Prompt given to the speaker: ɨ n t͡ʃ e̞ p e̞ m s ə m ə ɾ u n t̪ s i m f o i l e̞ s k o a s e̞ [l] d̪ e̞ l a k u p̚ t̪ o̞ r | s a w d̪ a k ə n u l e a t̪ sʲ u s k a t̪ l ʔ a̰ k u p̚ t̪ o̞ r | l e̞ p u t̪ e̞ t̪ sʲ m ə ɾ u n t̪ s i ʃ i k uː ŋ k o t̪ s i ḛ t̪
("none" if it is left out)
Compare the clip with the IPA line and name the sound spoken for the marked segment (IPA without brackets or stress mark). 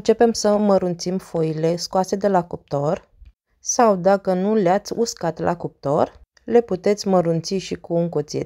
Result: none